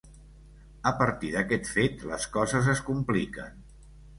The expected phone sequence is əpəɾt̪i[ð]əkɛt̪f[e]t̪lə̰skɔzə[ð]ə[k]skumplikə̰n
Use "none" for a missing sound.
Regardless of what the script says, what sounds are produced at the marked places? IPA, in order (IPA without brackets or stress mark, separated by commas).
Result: ð, e, z, none